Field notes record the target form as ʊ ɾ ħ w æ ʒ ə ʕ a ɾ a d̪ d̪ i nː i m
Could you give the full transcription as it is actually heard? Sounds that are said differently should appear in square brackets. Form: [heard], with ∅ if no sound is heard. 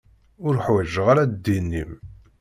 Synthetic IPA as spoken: ʊ ɾ ħ w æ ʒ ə [ʁ] a ɾ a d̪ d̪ i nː i m